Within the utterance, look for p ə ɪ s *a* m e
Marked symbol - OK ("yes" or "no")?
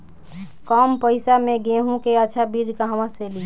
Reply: yes